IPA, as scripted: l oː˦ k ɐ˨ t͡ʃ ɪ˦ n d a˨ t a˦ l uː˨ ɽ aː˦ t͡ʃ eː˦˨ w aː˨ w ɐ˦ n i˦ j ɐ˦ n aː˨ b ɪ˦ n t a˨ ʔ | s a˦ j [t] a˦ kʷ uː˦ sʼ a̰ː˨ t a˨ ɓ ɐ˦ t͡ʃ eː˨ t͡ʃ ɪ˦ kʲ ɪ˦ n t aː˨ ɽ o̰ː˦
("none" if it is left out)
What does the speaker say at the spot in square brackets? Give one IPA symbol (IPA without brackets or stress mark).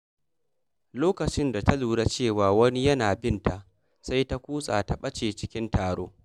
t